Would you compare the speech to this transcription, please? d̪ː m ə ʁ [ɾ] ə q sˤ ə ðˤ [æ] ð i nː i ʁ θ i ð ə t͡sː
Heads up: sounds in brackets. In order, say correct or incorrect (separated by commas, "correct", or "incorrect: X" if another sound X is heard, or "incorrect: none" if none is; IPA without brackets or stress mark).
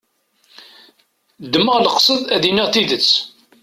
incorrect: l, correct